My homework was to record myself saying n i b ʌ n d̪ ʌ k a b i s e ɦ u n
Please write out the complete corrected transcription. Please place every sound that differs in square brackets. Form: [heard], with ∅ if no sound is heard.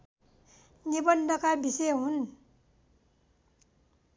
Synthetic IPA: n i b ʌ n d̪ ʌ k a b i s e ɦ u n